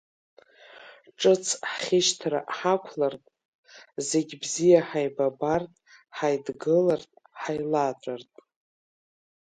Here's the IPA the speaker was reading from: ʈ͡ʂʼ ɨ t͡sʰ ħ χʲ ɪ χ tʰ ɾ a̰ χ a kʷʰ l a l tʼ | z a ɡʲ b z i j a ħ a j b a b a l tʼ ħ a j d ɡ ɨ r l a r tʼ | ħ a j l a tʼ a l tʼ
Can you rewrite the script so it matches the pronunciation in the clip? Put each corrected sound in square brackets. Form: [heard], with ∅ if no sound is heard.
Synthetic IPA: ʈ͡ʂʼ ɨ t͡sʰ ħ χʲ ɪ [ʃ] tʰ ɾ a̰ [ħ] a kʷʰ l a [r] tʼ | z [e] ɡʲ b z i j a ħ a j b a b a [r] tʼ ħ a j d ɡ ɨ [∅] l a r tʼ | ħ a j l a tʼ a [r] tʼ